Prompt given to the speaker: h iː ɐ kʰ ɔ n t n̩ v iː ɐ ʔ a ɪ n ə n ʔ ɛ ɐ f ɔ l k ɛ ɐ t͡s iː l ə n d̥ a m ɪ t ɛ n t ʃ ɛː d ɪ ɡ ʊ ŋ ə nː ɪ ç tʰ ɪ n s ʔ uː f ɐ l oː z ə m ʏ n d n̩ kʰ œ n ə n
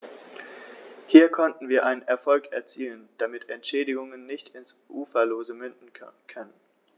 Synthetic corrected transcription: h iː ɐ kʰ ɔ n t n̩ v iː ɐ ʔ a ɪ n ə n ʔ ɛ ɐ f ɔ l k ɛ ɐ t͡s iː l ə n d̥ a m ɪ t ɛ n t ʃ ɛː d ɪ ɡ ʊ ŋ ə nː ɪ ç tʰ ɪ n s ʔ uː f ɐ l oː z ə m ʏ n d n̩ kʰ œ n ə n